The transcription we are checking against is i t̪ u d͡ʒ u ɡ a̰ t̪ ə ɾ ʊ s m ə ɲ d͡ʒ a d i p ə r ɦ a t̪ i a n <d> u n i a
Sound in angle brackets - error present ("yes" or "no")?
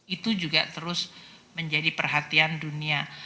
no